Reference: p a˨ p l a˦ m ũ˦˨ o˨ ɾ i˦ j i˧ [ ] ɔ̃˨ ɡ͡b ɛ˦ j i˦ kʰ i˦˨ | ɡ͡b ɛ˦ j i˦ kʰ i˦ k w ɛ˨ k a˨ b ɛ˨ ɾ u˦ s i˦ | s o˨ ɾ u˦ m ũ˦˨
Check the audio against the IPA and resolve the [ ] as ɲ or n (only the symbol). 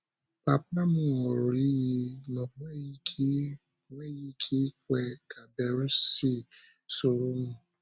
n